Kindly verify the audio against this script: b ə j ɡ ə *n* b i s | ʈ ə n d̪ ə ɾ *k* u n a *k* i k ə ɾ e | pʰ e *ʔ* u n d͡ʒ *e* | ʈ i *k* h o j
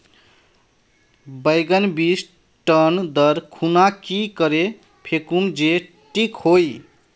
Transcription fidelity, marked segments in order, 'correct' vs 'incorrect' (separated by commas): correct, incorrect, correct, incorrect, correct, correct